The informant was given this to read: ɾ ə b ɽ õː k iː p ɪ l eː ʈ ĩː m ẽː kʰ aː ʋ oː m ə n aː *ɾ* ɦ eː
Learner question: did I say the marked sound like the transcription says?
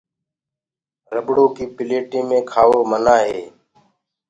no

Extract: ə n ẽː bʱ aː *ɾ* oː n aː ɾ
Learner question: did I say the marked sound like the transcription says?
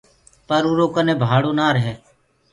no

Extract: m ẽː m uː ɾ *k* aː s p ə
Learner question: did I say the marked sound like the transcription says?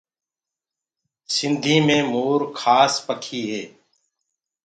no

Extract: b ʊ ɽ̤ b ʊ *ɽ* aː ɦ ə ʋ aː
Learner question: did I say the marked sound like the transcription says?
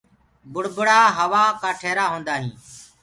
yes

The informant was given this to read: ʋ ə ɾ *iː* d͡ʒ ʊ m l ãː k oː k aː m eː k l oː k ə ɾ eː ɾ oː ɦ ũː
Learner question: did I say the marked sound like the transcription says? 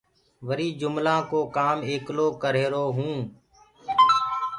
yes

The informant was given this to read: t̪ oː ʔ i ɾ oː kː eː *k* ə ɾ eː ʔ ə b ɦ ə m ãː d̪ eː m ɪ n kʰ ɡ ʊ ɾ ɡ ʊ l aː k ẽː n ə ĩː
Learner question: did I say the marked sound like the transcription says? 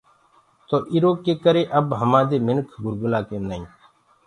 yes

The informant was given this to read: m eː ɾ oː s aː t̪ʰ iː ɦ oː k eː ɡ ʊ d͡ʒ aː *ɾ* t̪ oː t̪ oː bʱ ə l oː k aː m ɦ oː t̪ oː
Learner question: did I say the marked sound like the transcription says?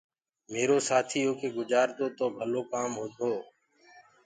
yes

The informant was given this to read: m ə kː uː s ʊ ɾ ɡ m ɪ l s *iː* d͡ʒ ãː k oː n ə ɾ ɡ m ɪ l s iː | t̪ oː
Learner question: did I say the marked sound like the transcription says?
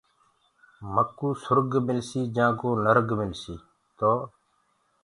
yes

